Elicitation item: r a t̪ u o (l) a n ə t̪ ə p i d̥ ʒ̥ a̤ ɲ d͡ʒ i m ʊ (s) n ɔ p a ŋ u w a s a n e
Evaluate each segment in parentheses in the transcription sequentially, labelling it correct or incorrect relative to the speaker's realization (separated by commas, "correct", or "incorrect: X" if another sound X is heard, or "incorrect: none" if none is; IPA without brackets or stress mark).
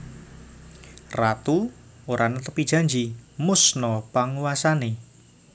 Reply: incorrect: ɾ, correct